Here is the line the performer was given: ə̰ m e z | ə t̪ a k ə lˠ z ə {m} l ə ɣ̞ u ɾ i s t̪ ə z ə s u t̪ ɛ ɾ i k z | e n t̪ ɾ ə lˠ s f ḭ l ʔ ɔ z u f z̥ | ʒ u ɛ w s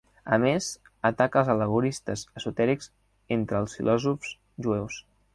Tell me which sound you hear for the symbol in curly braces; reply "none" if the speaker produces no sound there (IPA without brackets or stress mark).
none